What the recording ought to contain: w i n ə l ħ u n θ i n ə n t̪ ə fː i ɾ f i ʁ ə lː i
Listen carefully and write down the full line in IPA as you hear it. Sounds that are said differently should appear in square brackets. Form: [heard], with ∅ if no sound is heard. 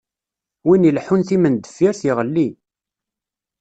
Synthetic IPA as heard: w i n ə l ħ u n θ i [m] ə n [d̪] ə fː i ɾ [θ] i ʁ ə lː i